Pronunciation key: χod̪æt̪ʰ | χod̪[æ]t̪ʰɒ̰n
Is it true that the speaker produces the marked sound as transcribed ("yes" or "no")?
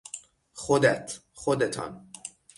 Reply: no